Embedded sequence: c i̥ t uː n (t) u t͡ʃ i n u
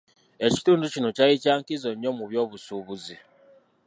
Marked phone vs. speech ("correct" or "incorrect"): incorrect